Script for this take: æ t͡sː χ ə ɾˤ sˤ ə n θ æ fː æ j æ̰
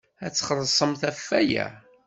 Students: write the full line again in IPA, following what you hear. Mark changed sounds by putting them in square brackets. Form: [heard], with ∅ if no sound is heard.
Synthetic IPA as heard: æ t͡sː χ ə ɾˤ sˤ ə [m] θ æ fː æ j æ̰